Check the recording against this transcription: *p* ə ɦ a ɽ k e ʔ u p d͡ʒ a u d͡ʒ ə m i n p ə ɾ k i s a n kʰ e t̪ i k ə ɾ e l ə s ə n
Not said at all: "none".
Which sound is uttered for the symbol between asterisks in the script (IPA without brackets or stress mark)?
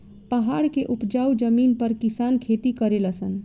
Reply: p